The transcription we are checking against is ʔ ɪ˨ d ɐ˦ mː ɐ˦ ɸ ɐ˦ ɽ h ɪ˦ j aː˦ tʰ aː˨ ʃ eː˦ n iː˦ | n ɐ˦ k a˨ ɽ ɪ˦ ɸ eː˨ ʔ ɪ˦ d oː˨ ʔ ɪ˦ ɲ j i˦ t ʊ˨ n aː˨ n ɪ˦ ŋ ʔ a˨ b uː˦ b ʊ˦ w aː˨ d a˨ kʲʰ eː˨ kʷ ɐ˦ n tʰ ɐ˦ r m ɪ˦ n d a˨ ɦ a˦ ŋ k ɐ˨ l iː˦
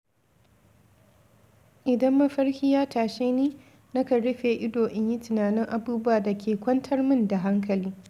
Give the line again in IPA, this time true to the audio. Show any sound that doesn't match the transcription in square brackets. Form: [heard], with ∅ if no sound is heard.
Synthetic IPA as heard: ʔ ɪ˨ d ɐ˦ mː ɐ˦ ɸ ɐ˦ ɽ h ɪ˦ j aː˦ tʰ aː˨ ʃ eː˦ n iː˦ | n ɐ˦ k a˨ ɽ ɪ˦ ɸ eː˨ ʔ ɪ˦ d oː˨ ʔ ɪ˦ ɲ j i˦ t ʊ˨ n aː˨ n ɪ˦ ŋ ʔ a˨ b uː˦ b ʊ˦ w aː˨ d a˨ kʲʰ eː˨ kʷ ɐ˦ n tʰ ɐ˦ r m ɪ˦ n d a˨ ɦ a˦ ŋ k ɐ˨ l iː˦